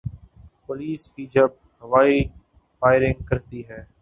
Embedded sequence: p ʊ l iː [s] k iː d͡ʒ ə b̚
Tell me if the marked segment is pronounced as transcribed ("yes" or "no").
yes